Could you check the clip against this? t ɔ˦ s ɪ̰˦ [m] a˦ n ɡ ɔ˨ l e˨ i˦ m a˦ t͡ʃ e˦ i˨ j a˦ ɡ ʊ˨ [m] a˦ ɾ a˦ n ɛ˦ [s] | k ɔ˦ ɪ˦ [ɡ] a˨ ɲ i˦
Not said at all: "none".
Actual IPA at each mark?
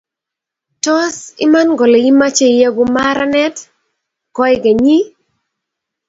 m, m, t, ɡ

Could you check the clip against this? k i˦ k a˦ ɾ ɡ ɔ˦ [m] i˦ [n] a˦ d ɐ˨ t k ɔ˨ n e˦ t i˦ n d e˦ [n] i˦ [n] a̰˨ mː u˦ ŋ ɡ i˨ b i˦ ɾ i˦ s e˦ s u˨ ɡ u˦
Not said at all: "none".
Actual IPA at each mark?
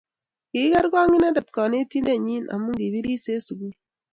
ŋ, n, ɲ, n

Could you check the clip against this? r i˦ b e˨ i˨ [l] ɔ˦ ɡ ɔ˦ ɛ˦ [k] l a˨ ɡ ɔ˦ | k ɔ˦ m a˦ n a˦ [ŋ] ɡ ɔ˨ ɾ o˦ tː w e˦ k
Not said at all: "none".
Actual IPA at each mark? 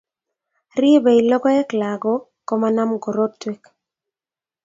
l, k, m

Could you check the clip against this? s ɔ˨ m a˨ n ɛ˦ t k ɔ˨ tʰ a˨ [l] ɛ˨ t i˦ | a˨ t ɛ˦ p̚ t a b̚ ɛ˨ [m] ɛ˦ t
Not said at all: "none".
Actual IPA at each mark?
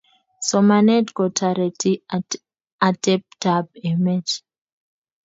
ɾ, m

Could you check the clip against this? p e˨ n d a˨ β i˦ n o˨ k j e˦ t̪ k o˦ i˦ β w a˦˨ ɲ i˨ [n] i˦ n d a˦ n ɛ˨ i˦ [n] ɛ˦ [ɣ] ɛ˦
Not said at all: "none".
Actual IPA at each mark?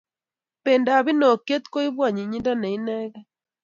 ɲ, n, ɣ

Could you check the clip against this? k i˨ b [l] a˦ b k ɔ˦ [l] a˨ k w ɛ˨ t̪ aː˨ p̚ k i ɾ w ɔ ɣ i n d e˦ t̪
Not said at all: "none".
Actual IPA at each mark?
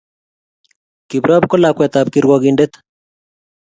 ɾ, l

